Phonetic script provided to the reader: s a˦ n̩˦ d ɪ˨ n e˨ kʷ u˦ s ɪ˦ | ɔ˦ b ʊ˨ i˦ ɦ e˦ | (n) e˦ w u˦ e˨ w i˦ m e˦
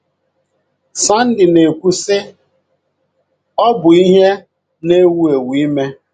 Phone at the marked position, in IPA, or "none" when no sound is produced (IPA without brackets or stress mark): n